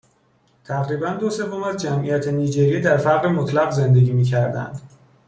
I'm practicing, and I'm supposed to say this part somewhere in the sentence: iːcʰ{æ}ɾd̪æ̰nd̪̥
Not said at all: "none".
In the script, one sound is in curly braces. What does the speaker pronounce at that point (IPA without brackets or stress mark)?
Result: æ